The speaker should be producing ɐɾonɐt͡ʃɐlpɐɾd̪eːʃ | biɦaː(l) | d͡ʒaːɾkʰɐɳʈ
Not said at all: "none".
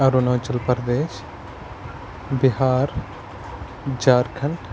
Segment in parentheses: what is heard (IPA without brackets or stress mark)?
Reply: ɾ